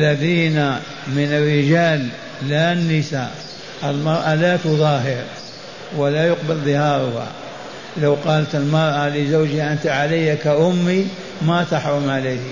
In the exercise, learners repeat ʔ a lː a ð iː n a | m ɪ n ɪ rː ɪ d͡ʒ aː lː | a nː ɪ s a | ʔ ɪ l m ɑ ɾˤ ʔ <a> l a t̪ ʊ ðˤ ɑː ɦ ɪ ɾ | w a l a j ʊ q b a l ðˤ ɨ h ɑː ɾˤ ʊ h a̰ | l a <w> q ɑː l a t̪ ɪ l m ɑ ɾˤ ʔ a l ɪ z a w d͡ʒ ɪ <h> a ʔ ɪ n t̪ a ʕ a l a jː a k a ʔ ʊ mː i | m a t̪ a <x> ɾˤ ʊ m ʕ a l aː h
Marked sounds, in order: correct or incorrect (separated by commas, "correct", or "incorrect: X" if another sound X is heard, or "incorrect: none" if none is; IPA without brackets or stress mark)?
correct, correct, correct, incorrect: ħ